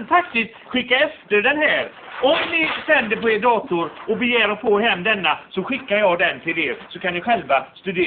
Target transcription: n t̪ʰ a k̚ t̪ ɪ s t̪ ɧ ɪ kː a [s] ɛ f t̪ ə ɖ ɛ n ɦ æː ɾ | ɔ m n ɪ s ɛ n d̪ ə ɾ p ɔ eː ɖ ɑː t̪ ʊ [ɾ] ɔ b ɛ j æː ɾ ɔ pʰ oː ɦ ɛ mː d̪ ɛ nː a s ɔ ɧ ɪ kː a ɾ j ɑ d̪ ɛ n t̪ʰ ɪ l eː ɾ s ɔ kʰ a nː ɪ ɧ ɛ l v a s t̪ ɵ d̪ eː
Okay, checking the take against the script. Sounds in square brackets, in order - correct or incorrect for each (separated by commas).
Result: incorrect, correct